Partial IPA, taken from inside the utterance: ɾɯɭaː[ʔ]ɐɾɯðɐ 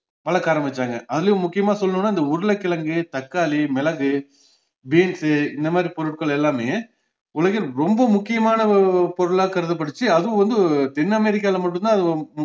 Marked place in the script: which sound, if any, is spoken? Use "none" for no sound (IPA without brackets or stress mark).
k